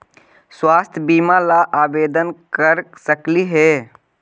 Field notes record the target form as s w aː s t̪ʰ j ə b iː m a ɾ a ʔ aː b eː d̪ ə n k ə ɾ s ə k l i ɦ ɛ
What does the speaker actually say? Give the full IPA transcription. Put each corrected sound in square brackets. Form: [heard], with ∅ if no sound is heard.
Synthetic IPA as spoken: s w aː s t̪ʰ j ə b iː m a [l] a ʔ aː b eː d̪ ə n k ə ɾ s ə k l i ɦ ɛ

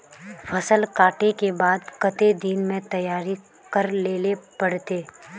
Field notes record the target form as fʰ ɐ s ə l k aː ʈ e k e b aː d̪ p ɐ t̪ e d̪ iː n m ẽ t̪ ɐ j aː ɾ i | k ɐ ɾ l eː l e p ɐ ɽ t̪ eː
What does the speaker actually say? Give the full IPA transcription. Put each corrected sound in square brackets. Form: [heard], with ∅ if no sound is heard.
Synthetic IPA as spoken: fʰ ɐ s ə l k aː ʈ e k e b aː d̪ [k] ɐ t̪ e d̪ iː n m ẽ t̪ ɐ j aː ɾ i | k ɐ ɾ l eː l e p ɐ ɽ t̪ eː

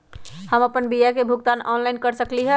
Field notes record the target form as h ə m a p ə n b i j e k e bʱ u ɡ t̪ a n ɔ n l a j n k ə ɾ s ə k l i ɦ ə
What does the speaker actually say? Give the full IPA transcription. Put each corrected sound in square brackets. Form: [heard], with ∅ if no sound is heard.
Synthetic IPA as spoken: h ə m [ə] p ə n b i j [a] k e bʱ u ɡ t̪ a n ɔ n l a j n k ə ɾ s ə k l i ɦ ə

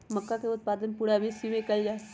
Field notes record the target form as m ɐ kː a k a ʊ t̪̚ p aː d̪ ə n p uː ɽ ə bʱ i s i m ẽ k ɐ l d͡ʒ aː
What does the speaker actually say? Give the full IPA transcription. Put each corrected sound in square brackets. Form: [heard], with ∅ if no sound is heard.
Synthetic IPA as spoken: m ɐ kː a k [e] ʊ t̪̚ p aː d̪ ə n p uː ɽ [a] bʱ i s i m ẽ k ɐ l d͡ʒ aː

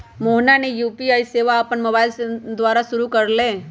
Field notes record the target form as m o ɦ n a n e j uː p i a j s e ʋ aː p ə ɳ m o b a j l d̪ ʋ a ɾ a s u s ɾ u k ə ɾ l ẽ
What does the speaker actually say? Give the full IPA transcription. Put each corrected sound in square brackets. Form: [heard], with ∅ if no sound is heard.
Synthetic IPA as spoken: m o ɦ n a n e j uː p i a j s e ʋ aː p ə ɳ m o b a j l d̪ ʋ a ɾ a s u [∅] ɾ u k ə ɾ l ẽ

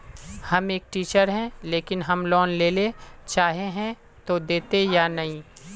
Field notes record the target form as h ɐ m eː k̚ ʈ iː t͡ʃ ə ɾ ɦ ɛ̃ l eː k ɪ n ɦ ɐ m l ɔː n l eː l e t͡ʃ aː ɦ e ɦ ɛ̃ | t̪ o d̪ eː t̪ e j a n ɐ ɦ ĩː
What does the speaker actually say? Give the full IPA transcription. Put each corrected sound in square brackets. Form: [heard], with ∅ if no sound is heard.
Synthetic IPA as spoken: h ɐ m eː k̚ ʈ iː t͡ʃ ə ɾ ɦ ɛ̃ l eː k ɪ n ɦ ɐ m l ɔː n l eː l e t͡ʃ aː ɦ e ɦ ɛ̃ | t̪ o d̪ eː t̪ e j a n ɐ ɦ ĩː

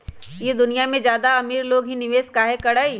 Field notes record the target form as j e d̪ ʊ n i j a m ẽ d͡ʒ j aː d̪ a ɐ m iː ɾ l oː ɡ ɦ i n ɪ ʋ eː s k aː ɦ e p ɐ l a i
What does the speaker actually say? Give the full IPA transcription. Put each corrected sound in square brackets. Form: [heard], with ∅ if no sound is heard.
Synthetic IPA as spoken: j e d̪ ʊ n i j a m ẽ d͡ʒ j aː d̪ a ɐ m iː ɾ l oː ɡ ɦ i n ɪ ʋ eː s k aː ɦ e [k] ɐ [ɽ] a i

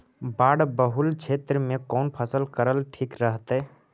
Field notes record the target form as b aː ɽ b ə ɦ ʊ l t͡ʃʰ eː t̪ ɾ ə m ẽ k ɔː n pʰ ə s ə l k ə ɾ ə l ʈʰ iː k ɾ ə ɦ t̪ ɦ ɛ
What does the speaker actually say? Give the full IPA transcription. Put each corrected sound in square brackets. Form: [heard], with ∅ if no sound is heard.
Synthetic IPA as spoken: b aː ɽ b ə ɦ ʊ l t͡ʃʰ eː t̪ ɾ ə m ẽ k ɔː n pʰ ə s ə l k ə ɾ ə l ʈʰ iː k ɾ ə ɦ t̪ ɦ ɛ

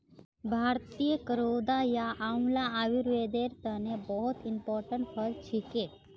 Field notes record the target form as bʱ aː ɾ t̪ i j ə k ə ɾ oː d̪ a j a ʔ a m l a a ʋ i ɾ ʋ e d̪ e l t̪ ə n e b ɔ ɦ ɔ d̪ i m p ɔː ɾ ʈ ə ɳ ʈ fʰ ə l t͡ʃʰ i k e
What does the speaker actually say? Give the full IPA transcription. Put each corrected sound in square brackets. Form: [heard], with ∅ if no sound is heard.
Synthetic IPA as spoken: bʱ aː ɾ t̪ i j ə k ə ɾ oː d̪ a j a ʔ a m l a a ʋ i ɾ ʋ e d̪ e [ɾ] t̪ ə n e b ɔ ɦ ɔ [t̪] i m p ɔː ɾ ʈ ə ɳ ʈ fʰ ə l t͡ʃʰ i k e

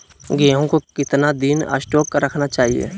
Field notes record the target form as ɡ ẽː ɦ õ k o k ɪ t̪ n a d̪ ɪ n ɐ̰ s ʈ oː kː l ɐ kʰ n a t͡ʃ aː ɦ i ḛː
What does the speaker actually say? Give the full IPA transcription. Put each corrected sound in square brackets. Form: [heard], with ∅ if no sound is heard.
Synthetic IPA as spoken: ɡ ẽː ɦ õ k o k ɪ t̪ n a d̪ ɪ n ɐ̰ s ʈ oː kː [ɾ] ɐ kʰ n a t͡ʃ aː ɦ i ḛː

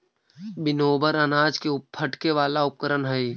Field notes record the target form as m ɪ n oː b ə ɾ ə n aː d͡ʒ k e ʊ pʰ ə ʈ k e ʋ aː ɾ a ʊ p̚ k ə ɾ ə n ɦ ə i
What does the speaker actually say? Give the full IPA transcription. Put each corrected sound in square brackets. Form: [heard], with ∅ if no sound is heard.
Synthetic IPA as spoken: [b] ɪ n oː b ə ɾ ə n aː d͡ʒ k e ʊ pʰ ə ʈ k e ʋ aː [l] a ʊ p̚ k ə ɾ ə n ɦ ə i

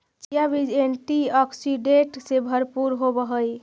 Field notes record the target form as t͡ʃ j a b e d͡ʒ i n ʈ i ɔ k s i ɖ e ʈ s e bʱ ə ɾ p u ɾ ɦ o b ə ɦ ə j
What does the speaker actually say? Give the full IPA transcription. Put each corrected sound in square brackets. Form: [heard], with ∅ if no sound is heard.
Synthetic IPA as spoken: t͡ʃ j a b [i] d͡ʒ [e] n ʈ i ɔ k s i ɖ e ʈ s e bʱ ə ɾ p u ɾ ɦ o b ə ɦ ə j

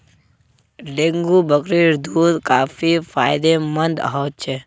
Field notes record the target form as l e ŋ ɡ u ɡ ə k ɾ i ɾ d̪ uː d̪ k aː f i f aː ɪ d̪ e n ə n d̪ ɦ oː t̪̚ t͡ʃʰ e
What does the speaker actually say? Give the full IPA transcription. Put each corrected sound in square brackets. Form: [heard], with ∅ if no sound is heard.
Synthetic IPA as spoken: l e ŋ ɡ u [b] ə k ɾ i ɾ d̪ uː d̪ k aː f i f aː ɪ d̪ e [m] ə n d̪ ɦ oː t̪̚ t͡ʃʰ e

